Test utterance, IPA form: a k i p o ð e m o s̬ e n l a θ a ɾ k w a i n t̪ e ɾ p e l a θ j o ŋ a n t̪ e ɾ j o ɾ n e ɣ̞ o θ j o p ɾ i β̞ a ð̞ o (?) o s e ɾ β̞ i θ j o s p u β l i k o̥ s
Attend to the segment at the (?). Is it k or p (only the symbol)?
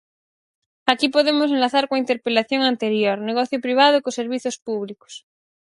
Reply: k